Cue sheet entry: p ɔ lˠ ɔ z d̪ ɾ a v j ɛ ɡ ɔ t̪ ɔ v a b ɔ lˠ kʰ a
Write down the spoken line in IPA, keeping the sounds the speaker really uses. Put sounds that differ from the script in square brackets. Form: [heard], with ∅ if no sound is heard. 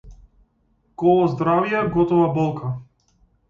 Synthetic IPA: [k] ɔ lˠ ɔ z d̪ ɾ a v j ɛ ɡ ɔ t̪ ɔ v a b ɔ lˠ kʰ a